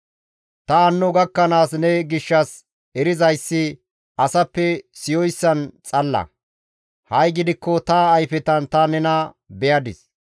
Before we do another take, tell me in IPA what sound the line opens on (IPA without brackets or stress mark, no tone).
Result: t̪